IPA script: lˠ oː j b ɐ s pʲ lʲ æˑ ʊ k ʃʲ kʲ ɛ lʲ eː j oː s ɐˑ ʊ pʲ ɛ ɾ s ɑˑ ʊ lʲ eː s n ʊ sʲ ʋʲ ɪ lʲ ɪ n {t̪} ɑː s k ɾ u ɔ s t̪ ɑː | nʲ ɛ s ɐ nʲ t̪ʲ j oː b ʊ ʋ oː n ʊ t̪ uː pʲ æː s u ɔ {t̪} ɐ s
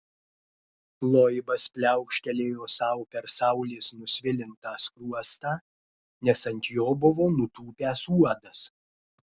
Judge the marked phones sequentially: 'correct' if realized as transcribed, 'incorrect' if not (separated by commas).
correct, incorrect